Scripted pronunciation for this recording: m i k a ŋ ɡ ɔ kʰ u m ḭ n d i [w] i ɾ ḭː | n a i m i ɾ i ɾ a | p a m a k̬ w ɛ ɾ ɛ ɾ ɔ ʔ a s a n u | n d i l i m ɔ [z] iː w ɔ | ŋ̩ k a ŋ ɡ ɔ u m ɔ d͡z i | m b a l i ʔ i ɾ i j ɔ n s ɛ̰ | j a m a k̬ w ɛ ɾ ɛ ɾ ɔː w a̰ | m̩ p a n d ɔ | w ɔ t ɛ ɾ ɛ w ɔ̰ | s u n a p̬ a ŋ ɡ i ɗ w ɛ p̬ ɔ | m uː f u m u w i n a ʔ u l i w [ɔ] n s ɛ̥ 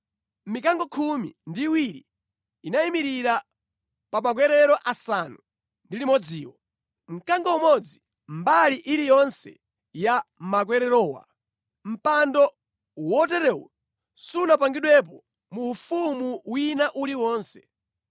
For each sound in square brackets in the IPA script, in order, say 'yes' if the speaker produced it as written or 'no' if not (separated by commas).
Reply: yes, no, no